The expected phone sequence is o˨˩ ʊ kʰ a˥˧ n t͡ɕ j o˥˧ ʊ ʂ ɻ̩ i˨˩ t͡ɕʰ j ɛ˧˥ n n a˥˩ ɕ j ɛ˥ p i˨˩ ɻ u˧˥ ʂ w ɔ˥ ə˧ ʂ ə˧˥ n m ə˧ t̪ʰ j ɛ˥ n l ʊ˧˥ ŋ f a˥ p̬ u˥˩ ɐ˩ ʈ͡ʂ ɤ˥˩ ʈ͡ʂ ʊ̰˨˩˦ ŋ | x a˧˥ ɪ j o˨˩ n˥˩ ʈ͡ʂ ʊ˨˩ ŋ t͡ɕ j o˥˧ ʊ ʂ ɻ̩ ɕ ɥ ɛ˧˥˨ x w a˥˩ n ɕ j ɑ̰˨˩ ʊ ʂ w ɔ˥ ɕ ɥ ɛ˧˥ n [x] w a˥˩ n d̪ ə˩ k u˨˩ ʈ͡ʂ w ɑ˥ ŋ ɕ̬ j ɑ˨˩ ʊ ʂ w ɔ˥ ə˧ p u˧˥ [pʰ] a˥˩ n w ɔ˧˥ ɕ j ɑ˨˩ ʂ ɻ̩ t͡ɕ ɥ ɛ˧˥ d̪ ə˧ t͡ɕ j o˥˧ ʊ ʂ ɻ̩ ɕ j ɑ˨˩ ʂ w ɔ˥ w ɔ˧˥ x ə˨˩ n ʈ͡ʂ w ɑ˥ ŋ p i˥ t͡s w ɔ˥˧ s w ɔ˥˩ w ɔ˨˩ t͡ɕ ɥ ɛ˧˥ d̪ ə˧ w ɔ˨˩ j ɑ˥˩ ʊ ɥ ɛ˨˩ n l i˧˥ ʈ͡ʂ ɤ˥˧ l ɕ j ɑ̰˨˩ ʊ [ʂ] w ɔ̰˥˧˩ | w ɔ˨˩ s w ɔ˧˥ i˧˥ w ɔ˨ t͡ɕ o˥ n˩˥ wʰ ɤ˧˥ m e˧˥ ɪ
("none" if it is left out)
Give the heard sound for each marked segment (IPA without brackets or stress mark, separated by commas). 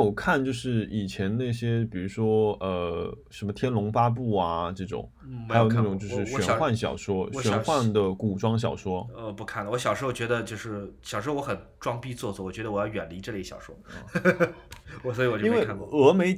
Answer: x, kʰ, ʂ